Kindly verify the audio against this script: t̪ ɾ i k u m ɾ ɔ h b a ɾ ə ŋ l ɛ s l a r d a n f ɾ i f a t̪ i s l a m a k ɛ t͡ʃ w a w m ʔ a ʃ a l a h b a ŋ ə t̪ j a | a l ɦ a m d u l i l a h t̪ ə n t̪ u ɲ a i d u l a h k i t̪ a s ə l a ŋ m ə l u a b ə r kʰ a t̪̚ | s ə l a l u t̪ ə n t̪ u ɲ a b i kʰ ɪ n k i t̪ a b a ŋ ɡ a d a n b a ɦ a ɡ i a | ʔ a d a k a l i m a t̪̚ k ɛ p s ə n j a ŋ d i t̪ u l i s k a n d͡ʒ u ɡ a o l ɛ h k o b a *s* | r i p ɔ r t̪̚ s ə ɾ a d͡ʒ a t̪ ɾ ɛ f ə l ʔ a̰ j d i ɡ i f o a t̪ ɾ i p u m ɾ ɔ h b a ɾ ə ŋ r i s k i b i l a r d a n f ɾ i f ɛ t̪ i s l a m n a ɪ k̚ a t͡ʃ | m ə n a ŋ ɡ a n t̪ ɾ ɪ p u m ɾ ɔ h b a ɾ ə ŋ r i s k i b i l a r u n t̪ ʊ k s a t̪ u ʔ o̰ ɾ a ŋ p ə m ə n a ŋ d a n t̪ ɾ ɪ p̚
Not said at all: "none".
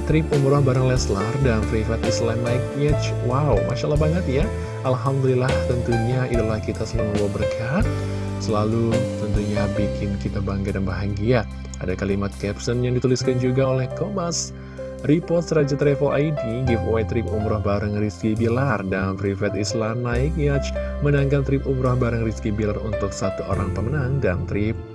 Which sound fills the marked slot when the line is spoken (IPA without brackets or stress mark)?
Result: s